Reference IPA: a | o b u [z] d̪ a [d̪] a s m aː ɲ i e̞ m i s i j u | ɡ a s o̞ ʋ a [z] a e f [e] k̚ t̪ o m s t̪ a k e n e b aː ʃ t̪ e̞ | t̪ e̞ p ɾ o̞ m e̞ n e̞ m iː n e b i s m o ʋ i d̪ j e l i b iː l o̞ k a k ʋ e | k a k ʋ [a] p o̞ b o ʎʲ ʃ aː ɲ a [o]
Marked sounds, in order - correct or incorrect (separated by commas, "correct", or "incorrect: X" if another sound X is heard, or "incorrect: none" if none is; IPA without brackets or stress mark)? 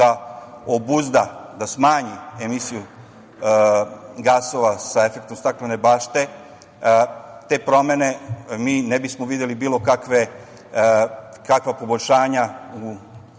correct, correct, incorrect: s, correct, correct, incorrect: u